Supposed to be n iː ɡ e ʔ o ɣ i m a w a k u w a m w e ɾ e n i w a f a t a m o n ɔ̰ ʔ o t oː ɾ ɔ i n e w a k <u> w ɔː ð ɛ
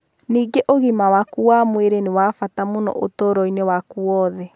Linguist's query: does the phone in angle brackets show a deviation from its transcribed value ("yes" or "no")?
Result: no